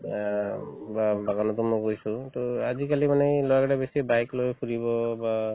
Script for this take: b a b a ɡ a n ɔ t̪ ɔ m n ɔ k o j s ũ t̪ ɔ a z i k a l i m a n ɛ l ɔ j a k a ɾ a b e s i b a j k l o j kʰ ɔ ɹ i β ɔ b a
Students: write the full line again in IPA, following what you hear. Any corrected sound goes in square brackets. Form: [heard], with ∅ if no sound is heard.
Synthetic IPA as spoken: b a b a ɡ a n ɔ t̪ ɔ m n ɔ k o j s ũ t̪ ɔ a z i k a l i m a n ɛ l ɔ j a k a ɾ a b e s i b a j k l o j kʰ [u] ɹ i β ɔ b a